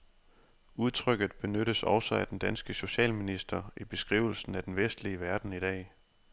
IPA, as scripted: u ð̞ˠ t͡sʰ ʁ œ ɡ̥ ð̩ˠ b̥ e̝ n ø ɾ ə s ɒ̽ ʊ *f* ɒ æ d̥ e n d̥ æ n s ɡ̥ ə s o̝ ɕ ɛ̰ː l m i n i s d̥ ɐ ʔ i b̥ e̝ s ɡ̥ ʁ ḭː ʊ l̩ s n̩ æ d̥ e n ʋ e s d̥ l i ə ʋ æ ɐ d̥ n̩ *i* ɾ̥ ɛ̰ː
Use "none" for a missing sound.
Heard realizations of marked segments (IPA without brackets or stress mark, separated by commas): s, i